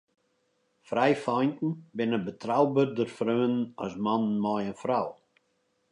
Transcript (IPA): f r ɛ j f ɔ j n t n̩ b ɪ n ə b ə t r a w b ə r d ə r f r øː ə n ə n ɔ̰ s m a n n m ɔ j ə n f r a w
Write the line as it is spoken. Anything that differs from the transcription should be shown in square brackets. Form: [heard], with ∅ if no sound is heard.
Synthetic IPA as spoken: f r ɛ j f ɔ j n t n̩ b ɪ n ə b ə t r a w b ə r d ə r f r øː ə n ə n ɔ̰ s m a n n m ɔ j ə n f r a w